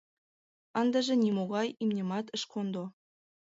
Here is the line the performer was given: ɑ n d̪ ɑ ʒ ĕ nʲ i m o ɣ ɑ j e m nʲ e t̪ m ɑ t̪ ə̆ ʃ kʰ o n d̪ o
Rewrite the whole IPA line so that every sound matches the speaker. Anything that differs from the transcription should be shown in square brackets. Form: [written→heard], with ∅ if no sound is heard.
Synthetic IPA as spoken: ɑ n d̪ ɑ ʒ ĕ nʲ i m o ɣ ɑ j [e→i] m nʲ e [t̪→∅] m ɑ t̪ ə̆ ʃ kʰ o n d̪ o